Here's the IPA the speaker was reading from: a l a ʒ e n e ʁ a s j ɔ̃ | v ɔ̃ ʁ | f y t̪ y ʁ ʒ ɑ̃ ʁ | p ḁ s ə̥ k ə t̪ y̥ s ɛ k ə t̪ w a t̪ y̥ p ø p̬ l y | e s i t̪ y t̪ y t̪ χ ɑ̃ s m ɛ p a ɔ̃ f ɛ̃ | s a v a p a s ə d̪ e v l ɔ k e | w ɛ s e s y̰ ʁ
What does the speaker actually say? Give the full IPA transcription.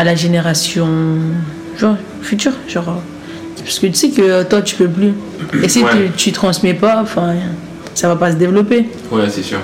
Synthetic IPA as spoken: a l a ʒ e n e ʁ a s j ɔ̃ | ʒ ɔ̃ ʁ | f y t̪ y ʁ ʒ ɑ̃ ʁ | p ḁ s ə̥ k ə t̪ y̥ s ɛ k ə t̪ w a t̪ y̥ p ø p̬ l y | e s i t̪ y t̪ y t̪ χ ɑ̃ s m ɛ p a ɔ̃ f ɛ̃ | s a v a p a s ə d̪ e v l ɔ p e | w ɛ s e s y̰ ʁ